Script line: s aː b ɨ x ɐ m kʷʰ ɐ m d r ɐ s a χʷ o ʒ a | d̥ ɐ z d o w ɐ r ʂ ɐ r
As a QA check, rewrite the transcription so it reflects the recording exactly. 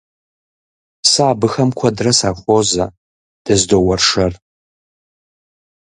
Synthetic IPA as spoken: s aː b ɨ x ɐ m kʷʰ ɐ d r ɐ s a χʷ o z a | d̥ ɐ z d o w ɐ r ʂ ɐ r